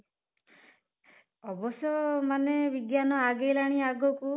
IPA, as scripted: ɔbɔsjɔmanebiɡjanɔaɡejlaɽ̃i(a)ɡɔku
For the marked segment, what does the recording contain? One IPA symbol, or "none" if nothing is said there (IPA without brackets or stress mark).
a